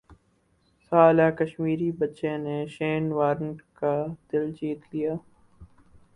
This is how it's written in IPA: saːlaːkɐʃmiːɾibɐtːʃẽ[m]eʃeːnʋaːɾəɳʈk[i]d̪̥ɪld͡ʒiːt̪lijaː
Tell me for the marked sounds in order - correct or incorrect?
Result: incorrect, incorrect

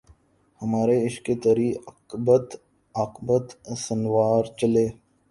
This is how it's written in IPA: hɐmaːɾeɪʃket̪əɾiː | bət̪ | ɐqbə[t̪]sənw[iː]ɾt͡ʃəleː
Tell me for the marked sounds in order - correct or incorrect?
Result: correct, incorrect

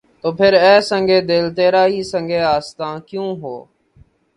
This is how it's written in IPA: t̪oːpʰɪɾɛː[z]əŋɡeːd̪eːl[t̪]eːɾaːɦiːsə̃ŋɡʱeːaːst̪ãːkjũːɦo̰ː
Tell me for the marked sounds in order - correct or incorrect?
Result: incorrect, correct

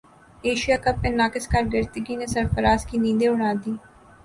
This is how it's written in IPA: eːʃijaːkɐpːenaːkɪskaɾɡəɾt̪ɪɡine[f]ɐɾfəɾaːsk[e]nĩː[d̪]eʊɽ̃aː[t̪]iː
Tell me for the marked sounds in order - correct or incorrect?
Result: incorrect, incorrect, correct, incorrect

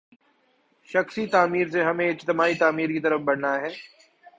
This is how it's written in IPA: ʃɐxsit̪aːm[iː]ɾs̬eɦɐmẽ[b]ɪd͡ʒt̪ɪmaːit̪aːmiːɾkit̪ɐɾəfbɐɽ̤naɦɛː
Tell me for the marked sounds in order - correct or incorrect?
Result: correct, incorrect

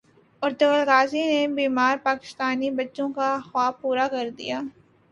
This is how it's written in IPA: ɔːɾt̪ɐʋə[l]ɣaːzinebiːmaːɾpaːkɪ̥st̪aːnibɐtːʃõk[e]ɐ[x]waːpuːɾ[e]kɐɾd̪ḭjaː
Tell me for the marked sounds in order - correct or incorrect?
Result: correct, incorrect, correct, incorrect

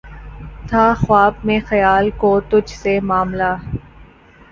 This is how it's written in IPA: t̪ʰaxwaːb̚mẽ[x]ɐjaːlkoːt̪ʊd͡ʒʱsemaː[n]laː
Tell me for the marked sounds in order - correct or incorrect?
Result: correct, incorrect

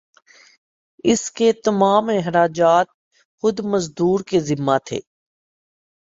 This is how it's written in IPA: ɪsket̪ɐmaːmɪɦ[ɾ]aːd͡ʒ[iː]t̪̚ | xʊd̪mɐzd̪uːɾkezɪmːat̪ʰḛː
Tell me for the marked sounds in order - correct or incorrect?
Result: correct, incorrect

